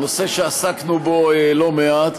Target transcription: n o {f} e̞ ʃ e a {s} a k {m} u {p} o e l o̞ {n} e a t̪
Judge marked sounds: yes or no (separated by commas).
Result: no, yes, no, no, no